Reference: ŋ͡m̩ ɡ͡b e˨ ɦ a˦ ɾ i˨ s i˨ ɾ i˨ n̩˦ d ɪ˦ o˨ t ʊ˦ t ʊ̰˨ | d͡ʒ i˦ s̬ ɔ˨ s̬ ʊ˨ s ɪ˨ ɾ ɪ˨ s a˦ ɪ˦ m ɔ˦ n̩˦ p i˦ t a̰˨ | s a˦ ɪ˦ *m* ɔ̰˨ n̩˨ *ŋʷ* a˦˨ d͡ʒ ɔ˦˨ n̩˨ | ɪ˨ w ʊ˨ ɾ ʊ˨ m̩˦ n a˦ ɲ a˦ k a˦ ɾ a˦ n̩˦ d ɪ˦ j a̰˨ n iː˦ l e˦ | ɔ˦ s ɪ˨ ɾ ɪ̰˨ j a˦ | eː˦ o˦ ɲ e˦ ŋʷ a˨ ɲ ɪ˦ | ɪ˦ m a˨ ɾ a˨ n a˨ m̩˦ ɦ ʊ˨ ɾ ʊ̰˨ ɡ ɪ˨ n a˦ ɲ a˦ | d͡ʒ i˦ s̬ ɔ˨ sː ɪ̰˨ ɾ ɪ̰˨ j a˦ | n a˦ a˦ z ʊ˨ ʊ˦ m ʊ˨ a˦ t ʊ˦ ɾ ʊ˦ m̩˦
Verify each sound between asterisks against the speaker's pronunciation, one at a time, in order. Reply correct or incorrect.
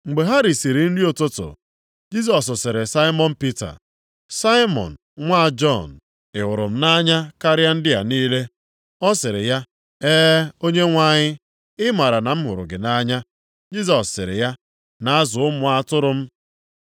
correct, correct

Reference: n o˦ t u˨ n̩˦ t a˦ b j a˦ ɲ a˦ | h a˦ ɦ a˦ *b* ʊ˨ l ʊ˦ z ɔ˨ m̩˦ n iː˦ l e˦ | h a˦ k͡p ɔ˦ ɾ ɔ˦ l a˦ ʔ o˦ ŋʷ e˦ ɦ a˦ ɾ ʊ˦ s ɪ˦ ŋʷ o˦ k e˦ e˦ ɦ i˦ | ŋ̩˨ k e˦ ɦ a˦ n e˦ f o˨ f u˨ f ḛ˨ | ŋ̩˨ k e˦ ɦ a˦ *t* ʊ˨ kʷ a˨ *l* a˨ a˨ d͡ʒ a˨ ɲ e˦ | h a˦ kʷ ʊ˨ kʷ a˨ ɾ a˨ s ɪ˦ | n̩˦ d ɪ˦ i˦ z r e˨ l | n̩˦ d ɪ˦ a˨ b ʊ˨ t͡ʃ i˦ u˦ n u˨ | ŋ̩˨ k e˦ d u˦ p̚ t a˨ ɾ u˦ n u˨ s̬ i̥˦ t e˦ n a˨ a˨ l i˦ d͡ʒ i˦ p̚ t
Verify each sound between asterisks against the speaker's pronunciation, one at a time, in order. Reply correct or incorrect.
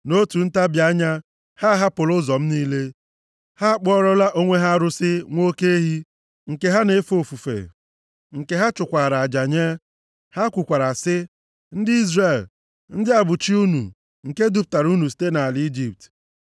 incorrect, incorrect, incorrect

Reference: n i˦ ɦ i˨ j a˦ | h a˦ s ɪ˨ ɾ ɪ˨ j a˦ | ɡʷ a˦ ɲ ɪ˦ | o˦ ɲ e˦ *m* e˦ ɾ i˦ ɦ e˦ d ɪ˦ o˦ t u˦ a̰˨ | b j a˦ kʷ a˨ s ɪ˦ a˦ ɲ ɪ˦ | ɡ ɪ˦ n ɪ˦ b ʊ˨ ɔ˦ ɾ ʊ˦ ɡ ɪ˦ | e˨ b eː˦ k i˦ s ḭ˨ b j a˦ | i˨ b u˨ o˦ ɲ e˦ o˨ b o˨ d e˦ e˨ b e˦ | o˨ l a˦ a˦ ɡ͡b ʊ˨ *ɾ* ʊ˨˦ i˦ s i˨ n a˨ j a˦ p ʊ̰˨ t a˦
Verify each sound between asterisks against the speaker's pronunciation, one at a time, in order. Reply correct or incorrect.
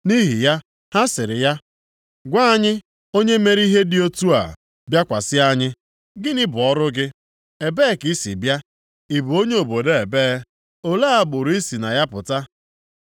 correct, correct

